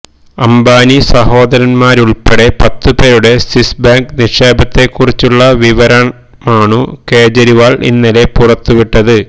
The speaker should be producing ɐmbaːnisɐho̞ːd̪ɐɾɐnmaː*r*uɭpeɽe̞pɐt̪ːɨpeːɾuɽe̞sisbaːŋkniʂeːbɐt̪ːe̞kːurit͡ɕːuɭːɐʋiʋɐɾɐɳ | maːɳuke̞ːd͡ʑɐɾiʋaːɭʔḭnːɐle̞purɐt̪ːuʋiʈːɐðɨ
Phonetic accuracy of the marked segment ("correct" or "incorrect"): incorrect